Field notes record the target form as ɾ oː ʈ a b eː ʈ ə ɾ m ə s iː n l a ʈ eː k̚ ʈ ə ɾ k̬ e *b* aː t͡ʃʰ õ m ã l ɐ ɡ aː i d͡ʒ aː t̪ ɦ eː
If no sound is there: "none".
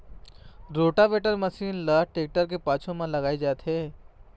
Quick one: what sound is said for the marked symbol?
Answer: p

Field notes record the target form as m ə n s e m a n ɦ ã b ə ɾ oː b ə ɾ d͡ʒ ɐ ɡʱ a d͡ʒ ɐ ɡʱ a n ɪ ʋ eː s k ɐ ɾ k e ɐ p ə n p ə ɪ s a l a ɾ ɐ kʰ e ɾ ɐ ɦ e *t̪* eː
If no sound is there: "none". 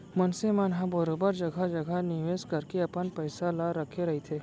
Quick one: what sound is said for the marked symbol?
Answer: t̪ʰ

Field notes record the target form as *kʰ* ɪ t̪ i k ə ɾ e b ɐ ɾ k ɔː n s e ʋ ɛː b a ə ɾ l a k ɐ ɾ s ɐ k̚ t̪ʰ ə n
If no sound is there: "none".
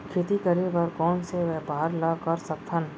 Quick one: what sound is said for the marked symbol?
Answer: kʰ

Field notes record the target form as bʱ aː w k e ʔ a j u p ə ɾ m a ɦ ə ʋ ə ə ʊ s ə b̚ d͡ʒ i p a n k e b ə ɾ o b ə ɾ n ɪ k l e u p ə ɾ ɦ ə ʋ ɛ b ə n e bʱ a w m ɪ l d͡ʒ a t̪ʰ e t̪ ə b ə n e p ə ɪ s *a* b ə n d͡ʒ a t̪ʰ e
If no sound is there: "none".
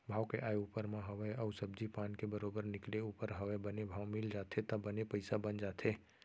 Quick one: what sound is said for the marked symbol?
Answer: a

